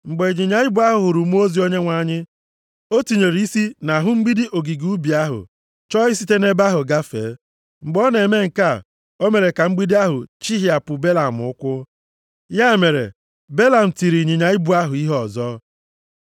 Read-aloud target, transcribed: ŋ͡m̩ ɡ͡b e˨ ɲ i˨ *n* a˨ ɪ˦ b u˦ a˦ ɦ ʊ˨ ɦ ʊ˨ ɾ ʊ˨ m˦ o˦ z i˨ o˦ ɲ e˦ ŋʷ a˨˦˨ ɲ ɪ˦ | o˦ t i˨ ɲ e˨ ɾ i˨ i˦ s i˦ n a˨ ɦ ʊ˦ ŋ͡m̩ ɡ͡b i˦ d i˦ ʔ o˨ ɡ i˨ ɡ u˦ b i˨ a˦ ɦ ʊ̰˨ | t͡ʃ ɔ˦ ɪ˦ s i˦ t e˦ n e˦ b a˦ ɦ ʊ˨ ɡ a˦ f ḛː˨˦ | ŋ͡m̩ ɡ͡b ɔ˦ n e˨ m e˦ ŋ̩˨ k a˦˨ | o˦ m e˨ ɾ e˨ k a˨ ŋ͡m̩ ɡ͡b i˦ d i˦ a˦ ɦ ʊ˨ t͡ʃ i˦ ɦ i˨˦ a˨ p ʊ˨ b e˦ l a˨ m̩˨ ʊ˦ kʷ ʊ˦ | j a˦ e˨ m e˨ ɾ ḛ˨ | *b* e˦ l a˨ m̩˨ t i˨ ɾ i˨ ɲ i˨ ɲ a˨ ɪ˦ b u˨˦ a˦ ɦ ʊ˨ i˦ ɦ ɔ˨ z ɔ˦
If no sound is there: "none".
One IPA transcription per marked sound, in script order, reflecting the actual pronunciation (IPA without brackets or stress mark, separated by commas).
ɲ, b